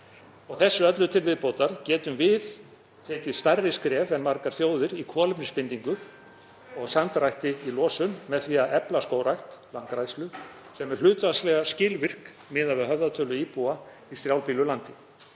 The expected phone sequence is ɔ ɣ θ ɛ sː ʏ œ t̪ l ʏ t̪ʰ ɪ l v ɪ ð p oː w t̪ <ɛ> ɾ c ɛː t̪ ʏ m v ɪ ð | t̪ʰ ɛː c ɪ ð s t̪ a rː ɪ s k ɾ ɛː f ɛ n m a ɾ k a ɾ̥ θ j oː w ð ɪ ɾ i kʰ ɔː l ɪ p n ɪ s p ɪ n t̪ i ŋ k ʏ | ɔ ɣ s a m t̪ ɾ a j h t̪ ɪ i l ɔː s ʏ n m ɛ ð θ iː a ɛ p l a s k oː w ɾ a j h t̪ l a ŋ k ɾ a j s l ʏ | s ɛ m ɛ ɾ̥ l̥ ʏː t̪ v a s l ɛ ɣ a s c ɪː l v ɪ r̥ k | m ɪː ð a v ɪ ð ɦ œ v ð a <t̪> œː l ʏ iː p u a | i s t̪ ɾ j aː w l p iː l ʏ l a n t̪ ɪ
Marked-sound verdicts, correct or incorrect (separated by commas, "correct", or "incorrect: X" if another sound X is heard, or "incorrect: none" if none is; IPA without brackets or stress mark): incorrect: a, incorrect: t̪ʰ